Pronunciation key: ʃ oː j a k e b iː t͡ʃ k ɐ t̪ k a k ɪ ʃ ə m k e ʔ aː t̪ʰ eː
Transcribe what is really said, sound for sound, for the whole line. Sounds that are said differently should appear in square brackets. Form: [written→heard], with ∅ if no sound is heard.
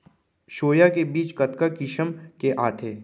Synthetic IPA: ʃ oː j a k e b iː t͡ʃ k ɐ t̪ k a k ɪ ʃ ə m k e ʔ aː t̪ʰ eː